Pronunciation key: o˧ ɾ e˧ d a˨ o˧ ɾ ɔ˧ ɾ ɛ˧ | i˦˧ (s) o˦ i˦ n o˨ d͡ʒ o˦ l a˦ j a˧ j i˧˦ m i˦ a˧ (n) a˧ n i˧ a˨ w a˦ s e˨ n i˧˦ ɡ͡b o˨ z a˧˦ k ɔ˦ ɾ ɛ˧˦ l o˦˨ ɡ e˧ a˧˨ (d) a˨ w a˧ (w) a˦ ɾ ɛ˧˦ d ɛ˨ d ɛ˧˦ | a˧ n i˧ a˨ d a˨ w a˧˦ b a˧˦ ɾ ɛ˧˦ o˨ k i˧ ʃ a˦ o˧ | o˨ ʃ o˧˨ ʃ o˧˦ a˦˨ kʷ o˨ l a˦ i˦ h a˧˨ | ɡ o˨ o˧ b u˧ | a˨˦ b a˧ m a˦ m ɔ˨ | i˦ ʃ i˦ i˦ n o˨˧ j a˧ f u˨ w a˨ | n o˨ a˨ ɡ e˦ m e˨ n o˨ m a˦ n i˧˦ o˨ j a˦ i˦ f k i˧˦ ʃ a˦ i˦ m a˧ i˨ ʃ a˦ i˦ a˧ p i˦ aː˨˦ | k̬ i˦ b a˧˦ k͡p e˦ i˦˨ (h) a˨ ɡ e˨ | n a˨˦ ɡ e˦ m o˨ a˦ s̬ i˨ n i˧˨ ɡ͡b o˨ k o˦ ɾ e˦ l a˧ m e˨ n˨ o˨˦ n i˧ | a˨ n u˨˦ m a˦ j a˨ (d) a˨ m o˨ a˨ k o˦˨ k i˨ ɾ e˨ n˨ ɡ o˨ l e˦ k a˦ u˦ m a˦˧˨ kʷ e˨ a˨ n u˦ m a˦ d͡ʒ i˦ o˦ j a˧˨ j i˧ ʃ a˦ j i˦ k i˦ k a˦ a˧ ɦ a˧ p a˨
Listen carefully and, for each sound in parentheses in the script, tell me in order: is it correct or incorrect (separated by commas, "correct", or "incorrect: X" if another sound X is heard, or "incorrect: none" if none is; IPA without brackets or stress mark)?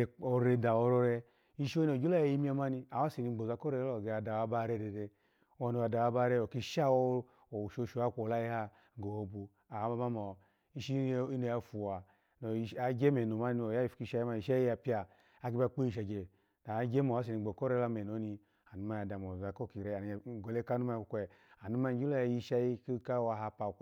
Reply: incorrect: ʃ, incorrect: m, correct, incorrect: b, incorrect: ʃ, correct